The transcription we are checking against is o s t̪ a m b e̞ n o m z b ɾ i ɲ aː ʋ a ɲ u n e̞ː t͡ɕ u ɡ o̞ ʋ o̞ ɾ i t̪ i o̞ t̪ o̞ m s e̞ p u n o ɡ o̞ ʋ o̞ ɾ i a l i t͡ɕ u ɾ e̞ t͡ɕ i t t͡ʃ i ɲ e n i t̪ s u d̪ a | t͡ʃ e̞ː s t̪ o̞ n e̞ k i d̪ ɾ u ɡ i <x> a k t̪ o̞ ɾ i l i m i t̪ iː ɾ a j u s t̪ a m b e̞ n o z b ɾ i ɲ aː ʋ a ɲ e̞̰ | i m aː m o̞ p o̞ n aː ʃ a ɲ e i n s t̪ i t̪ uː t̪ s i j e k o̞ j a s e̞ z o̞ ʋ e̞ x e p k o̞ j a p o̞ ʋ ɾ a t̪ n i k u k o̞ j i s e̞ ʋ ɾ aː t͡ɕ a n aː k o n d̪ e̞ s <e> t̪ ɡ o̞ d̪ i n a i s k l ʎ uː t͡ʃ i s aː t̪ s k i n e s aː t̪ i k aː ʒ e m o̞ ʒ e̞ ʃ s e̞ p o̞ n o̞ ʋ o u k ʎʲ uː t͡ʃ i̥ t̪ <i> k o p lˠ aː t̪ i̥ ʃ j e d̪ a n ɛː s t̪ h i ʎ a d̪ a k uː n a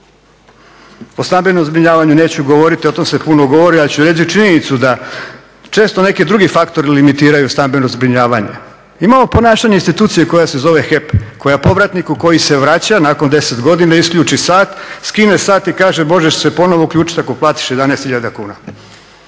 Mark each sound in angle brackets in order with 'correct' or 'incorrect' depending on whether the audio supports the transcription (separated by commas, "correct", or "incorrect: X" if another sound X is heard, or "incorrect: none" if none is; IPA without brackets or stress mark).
incorrect: f, correct, incorrect: a